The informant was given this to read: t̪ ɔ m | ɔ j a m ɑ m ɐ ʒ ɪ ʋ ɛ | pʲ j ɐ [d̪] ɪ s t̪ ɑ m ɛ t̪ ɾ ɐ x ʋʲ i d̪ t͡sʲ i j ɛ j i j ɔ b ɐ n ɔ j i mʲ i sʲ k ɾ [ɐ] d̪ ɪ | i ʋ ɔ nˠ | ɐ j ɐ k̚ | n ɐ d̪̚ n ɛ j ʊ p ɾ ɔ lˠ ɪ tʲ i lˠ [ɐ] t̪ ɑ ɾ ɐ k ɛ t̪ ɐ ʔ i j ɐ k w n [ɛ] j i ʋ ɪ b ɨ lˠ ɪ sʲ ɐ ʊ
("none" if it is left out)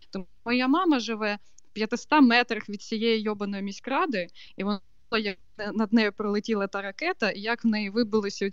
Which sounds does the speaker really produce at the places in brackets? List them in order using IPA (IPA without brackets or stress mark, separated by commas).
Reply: t̪, ɑ, ɐ, ɛ